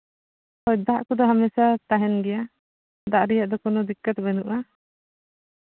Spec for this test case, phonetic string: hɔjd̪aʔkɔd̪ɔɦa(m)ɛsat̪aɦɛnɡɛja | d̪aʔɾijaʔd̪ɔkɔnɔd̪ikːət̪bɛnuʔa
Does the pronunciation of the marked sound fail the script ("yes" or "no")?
no